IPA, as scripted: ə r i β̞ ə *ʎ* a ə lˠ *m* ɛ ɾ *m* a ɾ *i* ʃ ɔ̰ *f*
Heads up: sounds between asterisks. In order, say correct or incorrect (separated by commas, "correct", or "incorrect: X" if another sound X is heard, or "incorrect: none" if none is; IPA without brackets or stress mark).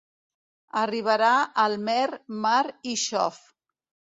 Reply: incorrect: ɾ, correct, correct, correct, correct